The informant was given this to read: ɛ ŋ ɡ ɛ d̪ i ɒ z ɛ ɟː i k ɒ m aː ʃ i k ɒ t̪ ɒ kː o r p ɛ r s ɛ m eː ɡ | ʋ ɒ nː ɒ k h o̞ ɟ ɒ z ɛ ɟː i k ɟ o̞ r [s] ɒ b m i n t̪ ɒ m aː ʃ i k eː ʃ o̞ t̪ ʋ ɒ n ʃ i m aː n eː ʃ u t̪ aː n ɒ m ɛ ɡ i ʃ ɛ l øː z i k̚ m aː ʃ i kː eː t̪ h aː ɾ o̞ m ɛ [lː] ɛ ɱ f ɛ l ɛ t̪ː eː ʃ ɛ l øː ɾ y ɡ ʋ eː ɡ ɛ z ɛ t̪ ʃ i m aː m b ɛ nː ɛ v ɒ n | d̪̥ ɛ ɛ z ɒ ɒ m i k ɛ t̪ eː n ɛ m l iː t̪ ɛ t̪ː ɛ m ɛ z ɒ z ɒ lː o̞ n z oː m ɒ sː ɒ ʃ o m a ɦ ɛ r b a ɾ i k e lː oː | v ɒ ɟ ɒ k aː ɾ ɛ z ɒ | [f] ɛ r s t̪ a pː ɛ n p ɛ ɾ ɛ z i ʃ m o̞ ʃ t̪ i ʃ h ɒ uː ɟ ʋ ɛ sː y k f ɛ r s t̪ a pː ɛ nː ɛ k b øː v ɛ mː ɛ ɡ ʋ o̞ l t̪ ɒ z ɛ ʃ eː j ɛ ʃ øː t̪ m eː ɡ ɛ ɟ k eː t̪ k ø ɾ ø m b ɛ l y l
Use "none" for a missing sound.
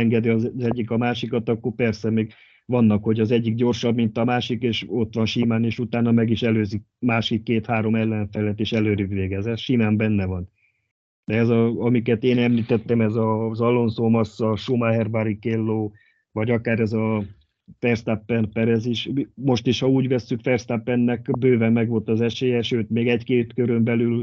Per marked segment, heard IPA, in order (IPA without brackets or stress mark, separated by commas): ʃ, lː, f